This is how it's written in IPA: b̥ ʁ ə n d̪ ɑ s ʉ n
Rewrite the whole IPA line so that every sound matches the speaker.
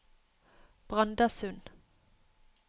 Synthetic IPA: b̥ ʁ ɑ n d̪ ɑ s ʉ n